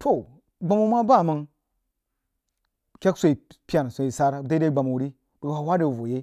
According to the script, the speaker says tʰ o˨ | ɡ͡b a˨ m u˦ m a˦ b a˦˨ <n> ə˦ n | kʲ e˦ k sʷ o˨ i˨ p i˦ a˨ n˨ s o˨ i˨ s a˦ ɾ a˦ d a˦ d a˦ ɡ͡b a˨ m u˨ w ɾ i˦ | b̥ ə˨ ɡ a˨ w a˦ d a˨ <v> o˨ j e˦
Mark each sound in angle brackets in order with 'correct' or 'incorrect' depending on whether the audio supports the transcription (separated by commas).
incorrect, correct